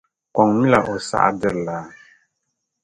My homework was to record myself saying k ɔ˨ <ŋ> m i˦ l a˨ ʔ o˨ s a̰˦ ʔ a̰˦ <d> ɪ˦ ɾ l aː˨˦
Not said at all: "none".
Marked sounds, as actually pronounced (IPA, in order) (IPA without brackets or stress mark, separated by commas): ŋ, d